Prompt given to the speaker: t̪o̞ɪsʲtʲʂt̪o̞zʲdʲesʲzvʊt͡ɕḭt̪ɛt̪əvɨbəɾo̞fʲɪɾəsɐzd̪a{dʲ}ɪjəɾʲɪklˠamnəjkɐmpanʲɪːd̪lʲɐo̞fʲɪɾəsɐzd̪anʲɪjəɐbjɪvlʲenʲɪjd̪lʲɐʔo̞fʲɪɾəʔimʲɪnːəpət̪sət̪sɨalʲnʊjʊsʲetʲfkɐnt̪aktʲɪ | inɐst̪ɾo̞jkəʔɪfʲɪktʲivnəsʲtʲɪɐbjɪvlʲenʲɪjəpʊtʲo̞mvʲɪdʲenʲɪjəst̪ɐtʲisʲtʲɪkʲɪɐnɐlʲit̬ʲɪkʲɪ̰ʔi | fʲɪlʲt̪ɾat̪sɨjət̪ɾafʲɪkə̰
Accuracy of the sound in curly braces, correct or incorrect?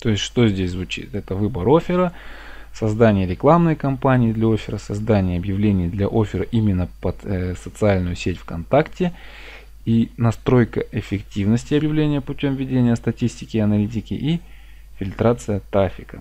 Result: incorrect